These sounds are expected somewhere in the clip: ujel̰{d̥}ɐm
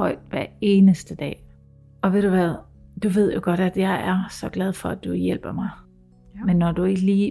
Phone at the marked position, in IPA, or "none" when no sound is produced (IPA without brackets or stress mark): b̥